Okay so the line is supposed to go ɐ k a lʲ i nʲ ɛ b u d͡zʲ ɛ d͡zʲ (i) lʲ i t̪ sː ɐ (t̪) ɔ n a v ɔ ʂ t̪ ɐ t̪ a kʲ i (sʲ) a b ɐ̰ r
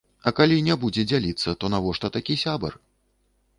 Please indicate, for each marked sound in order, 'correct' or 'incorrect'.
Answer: incorrect, correct, correct

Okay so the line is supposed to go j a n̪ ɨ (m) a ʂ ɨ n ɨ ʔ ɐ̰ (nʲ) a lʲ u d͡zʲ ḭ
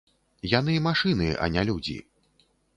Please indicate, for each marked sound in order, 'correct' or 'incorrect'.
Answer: correct, correct

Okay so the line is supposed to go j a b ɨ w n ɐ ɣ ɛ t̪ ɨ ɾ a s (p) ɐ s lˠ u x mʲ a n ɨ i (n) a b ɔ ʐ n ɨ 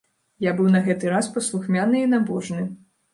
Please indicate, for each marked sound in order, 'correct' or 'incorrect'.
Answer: correct, correct

